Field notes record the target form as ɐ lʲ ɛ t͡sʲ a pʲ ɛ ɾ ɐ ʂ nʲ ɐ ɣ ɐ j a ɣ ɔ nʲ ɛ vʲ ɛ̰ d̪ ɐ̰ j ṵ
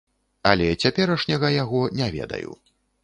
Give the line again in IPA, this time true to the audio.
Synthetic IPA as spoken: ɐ lʲ ɛ t͡sʲ a pʲ ɛ ɾ ɐ ʂ nʲ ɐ ɣ ɐ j a ɣ ɔ nʲ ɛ vʲ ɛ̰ d̪ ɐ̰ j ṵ